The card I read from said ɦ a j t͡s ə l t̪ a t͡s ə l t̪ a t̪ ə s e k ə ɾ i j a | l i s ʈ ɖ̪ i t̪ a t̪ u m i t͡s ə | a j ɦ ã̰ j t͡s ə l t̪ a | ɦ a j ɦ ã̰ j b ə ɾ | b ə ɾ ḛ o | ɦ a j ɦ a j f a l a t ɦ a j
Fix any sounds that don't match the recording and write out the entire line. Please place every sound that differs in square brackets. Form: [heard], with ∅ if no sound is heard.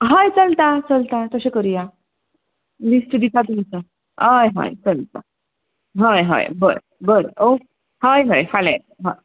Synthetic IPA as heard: ɦ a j t͡s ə l t̪ a t͡s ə l t̪ a t̪ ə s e k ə ɾ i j a | l i s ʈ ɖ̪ i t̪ a t̪ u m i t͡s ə | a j ɦ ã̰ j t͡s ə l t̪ a | ɦ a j ɦ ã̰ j b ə ɾ | b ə ɾ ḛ o | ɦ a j ɦ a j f a l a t ɦ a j